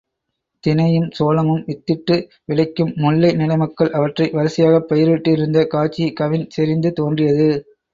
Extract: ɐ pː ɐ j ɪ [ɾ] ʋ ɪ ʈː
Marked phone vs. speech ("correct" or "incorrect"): correct